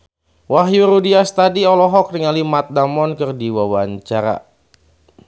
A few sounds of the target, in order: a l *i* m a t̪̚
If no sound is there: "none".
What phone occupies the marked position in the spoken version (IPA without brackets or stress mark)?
i